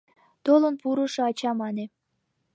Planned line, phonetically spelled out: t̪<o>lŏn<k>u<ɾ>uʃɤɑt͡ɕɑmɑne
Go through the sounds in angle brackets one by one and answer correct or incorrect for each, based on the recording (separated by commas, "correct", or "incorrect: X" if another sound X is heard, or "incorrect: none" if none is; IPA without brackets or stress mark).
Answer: correct, incorrect: p, correct